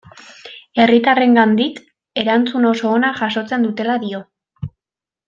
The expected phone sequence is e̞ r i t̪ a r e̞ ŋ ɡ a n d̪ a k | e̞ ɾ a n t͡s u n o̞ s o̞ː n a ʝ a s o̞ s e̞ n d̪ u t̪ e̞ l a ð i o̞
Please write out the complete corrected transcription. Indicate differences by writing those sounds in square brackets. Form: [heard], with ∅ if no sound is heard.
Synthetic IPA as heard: e̞ r i t̪ a r e̞ ŋ ɡ a n d̪ [i] k | e̞ ɾ a n t͡s u n o̞ s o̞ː n a ʝ a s o̞ [t͡s] e̞ n d̪ u t̪ e̞ l a ð i o̞